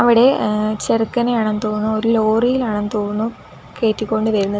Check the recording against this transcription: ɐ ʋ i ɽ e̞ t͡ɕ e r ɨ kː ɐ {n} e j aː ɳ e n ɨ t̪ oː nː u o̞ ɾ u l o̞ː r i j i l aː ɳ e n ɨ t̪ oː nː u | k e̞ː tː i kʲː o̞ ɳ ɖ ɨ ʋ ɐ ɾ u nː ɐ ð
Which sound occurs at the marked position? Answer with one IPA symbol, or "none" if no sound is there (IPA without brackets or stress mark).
n